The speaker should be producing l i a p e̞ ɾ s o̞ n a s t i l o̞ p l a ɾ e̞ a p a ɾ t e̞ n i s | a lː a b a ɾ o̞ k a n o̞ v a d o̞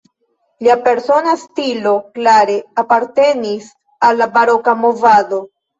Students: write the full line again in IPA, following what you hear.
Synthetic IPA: l i a p e̞ ɾ s o̞ n a s t i l o̞ k l a ɾ e̞ a p a ɾ t e̞ n i s | a lː a b a ɾ o̞ k a m o̞ v a d o̞